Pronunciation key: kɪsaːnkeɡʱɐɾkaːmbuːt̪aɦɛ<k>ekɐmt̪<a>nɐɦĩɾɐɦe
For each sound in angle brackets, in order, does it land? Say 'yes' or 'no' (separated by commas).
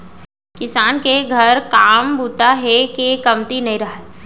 yes, no